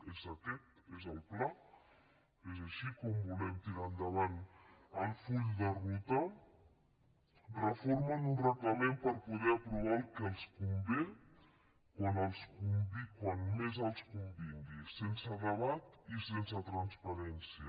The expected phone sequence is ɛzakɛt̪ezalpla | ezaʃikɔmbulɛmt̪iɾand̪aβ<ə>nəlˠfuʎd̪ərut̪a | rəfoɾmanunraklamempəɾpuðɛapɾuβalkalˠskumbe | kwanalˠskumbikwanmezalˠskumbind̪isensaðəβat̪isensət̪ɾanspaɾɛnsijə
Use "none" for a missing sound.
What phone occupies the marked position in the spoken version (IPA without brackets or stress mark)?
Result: a